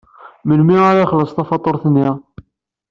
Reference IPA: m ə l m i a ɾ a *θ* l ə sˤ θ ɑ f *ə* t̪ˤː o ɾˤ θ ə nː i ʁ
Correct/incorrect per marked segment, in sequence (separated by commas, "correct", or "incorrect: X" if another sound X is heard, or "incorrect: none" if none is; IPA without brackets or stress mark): incorrect: χ, incorrect: ɑ